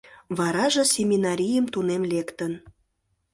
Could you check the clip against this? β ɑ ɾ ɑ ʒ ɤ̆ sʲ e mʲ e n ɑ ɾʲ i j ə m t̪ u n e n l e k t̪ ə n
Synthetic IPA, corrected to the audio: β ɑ ɾ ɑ ʒ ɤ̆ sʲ e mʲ i n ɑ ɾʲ i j ə m t̪ u n e m l e k t̪ ə n